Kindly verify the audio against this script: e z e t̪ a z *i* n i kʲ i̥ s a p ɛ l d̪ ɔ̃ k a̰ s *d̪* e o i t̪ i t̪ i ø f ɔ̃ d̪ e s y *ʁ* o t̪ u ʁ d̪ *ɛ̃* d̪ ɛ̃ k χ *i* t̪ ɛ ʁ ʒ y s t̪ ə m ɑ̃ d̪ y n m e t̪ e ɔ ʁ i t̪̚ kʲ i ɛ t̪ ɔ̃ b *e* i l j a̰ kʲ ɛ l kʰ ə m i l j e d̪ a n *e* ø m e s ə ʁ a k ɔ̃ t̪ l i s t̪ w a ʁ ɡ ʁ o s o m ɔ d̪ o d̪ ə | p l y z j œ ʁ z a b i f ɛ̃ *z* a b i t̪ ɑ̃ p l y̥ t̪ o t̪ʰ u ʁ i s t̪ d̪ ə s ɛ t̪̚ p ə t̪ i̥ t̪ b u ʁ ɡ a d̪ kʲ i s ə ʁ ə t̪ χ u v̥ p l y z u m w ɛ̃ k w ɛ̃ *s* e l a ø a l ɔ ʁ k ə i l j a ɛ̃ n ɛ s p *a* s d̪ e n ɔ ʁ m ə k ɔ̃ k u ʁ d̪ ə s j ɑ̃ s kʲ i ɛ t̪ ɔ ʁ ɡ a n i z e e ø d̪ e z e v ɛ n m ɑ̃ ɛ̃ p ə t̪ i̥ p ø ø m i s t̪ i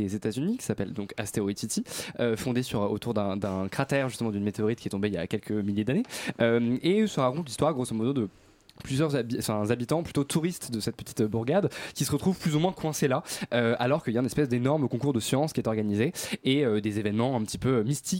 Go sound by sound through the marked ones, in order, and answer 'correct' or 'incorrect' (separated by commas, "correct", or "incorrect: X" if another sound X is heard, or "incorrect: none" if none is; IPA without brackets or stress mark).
incorrect: y, incorrect: t̪, correct, correct, incorrect: a, correct, correct, correct, correct, incorrect: ɛ